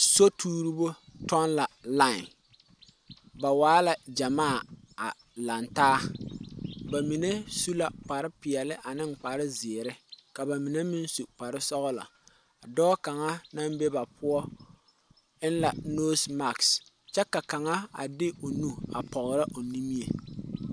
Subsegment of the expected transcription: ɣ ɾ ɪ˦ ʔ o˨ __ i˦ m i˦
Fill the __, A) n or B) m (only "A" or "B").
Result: A